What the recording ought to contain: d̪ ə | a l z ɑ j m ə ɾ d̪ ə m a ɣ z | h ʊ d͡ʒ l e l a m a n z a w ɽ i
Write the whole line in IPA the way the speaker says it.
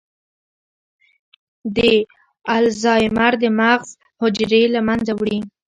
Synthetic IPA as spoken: d̪ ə | a l z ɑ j m a ɾ d̪ ə m a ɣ z | h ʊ d͡ʒ ɾ e l a m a n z a w ɽ i